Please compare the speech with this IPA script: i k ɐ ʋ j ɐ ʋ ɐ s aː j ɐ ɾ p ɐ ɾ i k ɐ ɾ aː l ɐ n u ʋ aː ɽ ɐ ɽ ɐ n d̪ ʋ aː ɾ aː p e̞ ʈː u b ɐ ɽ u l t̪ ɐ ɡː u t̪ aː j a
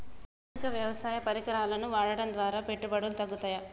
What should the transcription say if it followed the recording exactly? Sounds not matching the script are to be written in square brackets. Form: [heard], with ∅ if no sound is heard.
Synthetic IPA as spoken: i k ɐ ʋ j ɐ ʋ ɐ s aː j ɐ [∅] p ɐ ɾ i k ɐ ɾ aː l ɐ n u ʋ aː ɽ ɐ ɽ ɐ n d̪ ʋ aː ɾ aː p e̞ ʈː u b ɐ ɽ u l t̪ ɐ ɡː u t̪ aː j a